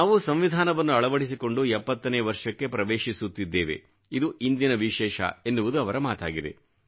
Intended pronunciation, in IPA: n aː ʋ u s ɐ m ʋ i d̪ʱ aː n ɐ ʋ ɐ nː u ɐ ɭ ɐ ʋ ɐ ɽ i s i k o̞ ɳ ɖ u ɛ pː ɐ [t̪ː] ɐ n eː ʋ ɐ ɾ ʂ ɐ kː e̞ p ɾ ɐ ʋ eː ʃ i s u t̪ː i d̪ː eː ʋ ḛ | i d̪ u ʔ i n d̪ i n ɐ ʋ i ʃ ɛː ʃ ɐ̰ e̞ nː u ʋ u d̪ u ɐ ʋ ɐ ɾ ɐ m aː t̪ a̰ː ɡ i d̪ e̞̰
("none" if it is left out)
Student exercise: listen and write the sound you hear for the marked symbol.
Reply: t̪ː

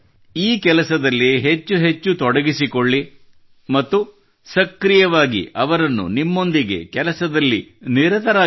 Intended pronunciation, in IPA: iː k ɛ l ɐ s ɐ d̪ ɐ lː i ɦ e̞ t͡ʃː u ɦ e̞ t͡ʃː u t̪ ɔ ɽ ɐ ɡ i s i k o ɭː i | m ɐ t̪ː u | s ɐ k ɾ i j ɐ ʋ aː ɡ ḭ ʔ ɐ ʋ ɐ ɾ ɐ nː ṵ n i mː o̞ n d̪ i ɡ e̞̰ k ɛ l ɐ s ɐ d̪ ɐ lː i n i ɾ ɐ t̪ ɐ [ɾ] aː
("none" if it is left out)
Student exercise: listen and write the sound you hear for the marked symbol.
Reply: ɾ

